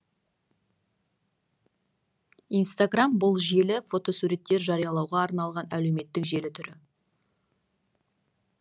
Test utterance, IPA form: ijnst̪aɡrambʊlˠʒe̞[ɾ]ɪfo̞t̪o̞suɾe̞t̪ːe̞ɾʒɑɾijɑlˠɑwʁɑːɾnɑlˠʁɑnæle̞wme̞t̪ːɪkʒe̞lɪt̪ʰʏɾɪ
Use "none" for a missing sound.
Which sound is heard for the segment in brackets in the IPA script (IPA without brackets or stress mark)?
l